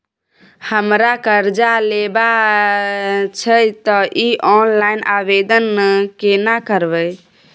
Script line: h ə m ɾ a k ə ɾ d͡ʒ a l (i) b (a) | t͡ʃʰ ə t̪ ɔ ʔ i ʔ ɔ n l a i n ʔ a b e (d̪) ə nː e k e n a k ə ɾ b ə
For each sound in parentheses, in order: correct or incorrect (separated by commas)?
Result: incorrect, correct, correct